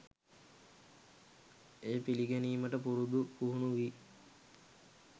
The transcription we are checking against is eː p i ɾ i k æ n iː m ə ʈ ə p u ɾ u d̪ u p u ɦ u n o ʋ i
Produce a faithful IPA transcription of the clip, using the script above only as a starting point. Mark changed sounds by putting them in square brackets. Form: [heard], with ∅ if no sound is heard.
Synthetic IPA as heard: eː p i [l] i [ɡ] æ n iː m ə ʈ ə p u ɾ u d̪ u p u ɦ u n [u] ʋ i